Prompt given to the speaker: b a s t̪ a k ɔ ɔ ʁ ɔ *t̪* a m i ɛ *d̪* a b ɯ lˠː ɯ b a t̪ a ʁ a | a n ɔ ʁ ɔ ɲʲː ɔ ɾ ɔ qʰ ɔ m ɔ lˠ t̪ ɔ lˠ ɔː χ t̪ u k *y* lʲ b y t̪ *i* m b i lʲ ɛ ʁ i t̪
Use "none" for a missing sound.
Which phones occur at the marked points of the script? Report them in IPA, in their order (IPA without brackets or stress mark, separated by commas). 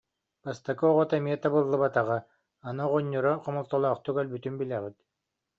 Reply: t̪, t̪, œ, y